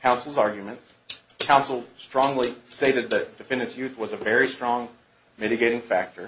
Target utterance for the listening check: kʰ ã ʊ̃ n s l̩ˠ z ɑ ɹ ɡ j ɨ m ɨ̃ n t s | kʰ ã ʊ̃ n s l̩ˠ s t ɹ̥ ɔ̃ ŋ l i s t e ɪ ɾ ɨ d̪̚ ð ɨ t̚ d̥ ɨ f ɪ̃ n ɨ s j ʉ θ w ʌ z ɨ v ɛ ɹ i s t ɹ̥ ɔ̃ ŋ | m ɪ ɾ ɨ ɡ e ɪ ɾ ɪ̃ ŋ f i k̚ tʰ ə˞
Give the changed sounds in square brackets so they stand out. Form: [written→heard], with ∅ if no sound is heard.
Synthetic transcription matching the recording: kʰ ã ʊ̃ n s l̩ˠ z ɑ ɹ ɡ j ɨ m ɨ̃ n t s | kʰ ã ʊ̃ n s l̩ˠ s t ɹ̥ ɔ̃ ŋ l i s t e ɪ ɾ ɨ d̪̚ ð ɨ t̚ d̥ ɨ f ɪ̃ n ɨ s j ʉ θ w ʌ z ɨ v ɛ ɹ i s t ɹ̥ ɔ̃ ŋ | m ɪ ɾ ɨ ɡ e ɪ ɾ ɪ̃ ŋ f [i→æ] k̚ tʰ ə˞